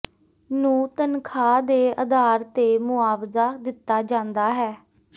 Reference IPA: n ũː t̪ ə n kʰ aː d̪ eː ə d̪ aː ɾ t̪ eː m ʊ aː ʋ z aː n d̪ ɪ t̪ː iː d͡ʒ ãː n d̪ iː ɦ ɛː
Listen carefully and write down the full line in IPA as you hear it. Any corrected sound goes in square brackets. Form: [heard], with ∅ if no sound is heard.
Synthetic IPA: n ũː t̪ ə n kʰ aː d̪ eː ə d̪ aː ɾ t̪ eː m ʊ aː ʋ z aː [∅] d̪ ɪ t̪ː [aː] d͡ʒ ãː n d̪ [aː] ɦ ɛː